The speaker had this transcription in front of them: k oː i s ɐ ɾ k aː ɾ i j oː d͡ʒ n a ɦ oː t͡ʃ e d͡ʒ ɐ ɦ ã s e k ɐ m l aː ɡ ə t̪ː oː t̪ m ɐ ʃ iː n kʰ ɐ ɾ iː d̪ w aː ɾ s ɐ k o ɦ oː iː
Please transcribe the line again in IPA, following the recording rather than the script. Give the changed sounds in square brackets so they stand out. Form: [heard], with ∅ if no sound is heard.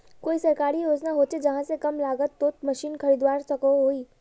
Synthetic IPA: k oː i s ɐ ɾ k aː ɾ i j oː d͡ʒ n a ɦ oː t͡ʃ e d͡ʒ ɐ ɦ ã s e k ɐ m l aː ɡ ə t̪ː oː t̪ m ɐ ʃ iː n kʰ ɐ ɾ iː d̪ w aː ɾ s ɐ k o ɦ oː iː